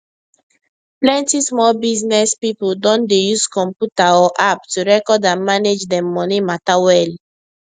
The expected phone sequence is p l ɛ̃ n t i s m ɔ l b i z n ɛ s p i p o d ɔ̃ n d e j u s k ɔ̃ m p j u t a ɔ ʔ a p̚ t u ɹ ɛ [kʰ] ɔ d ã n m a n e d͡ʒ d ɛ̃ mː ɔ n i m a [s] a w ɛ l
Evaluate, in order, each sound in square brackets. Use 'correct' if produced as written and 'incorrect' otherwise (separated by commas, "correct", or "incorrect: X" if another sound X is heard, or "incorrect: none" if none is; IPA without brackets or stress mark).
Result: incorrect: k, incorrect: t